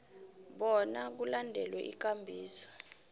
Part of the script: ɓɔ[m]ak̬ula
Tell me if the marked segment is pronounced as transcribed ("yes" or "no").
no